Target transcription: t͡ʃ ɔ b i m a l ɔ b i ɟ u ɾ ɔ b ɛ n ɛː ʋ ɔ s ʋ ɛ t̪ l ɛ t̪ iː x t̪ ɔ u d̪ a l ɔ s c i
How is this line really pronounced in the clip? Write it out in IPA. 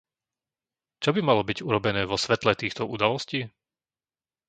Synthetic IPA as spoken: t͡ʃ ɔ b i m a l ɔ b i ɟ u ɾ ɔ b ɛ n ɛː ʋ ɔ s ʋ ɛ t̪ l ɛ t̪ iː x t̪ ɔ u d̪ a l ɔ s c iː